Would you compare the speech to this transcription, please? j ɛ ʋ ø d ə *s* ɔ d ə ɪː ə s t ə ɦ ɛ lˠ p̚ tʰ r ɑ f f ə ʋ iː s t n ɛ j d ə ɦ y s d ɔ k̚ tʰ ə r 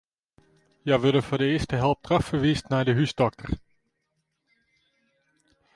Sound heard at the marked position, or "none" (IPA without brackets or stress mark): f